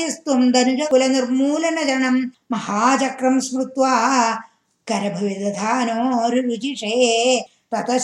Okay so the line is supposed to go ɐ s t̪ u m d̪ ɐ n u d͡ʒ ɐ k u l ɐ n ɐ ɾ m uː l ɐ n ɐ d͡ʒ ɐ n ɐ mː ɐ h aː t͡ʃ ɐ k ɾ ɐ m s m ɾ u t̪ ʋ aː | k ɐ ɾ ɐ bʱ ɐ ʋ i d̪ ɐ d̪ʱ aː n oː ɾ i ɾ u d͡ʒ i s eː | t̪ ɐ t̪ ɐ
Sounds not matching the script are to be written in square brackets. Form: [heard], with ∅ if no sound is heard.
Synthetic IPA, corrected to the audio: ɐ s t̪ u m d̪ ɐ n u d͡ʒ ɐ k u l ɐ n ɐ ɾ m uː l ɐ n ɐ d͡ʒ ɐ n ɐ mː ɐ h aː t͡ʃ ɐ k ɾ ɐ m s m ɾ u t̪ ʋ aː | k ɐ ɾ ɐ bʱ ɐ ʋ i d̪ ɐ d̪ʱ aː n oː ɾ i ɾ u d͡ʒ i [ʂ] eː | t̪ ɐ t̪ ɐ